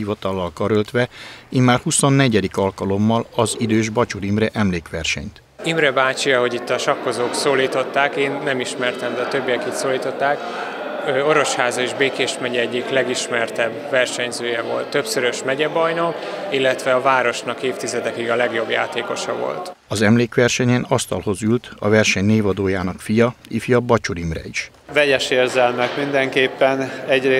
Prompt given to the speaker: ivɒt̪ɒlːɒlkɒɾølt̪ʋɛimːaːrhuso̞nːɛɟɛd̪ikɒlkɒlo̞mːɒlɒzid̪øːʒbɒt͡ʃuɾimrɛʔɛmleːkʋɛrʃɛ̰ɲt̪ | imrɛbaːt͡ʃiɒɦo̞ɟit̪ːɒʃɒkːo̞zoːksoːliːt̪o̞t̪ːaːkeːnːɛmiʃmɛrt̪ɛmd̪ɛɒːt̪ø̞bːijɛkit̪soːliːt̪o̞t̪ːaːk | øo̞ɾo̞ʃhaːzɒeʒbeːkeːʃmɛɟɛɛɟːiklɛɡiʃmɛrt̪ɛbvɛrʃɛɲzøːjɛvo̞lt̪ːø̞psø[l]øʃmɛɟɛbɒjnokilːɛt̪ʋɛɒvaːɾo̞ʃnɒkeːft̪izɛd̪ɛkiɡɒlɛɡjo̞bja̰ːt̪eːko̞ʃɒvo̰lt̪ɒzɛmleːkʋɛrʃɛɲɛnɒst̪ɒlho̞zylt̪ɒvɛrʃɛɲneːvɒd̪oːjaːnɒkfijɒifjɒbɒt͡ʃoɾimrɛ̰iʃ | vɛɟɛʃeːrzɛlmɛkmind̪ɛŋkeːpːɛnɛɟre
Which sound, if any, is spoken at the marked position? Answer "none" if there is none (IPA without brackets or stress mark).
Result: ɾ